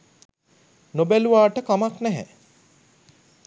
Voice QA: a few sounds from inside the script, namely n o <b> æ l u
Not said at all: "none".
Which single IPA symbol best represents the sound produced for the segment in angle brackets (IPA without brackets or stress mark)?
b